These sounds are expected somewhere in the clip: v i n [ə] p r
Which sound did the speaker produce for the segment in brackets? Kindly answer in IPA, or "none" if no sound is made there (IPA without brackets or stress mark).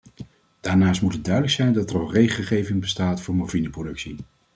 ə